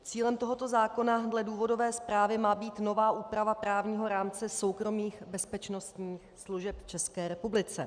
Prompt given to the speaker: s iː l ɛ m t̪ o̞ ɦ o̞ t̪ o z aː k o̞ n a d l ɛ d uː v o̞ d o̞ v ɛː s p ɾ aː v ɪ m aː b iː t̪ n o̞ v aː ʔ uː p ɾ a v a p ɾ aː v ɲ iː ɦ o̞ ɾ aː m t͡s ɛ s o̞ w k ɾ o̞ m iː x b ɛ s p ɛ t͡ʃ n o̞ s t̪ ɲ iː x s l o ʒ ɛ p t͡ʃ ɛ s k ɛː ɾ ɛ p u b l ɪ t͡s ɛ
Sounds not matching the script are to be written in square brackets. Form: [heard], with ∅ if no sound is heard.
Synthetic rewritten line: [t͡s] iː l ɛ m t̪ o̞ ɦ o̞ t̪ o z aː k o̞ n a d l ɛ d uː v o̞ d o̞ v ɛː s p ɾ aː v ɪ m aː b iː t̪ n o̞ v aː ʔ uː p ɾ a v a p ɾ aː v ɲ iː ɦ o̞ ɾ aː m t͡s ɛ s o̞ w k ɾ o̞ m iː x b ɛ s p ɛ t͡ʃ n o̞ s t̪ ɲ iː x s l [u] ʒ ɛ p t͡ʃ ɛ s k ɛː ɾ ɛ p u b l ɪ t͡s ɛ